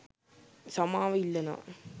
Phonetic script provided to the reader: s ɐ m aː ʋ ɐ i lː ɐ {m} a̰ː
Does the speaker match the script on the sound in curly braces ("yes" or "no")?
no